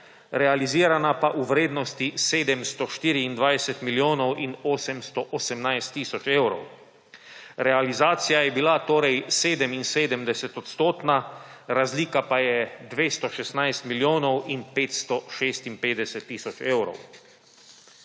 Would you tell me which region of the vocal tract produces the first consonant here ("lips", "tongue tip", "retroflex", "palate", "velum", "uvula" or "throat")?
tongue tip